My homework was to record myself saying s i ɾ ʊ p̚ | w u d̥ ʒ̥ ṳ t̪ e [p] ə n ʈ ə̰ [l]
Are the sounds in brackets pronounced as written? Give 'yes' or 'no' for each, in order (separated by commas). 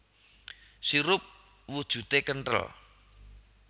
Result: no, yes